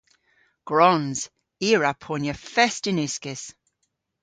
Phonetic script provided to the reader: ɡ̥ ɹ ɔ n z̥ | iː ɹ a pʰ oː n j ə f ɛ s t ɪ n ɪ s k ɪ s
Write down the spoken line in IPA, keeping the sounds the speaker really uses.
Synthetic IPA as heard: ɡ̥ ɹ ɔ n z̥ | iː ɹ a pʰ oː n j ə f ɛ s t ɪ n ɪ s k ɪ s